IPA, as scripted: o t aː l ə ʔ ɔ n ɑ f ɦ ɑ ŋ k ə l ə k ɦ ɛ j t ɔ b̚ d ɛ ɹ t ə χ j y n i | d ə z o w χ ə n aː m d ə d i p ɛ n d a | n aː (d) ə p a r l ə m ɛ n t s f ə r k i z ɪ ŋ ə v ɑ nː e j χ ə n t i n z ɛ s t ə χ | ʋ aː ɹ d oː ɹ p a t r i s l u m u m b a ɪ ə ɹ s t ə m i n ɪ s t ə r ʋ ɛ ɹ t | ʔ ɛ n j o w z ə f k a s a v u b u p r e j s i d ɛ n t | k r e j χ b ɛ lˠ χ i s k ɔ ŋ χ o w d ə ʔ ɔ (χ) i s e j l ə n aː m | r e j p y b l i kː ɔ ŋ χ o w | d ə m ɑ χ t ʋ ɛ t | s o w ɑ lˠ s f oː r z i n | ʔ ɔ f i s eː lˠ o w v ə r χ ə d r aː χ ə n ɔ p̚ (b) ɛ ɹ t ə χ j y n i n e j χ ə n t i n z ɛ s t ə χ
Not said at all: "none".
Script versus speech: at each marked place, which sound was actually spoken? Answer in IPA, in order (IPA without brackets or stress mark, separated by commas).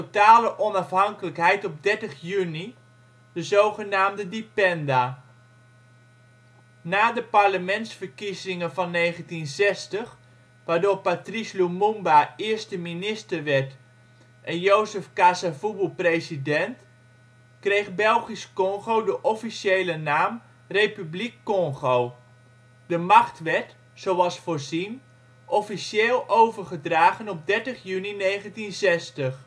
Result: d, f, d